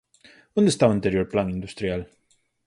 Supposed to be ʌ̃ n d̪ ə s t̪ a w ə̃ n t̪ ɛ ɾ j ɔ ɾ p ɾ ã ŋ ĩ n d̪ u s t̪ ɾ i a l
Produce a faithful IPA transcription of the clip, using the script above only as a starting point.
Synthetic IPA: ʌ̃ n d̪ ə s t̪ a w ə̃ n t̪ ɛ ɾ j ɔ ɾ p l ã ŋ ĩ n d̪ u s t̪ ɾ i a l